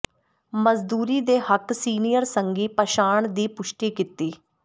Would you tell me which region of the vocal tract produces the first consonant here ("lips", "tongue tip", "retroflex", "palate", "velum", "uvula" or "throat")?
lips